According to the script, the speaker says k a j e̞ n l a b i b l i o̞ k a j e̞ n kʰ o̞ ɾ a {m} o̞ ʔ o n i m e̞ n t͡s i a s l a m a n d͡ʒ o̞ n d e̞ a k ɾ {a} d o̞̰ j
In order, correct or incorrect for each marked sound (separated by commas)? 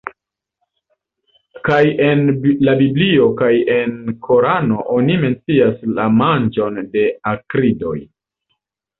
incorrect, incorrect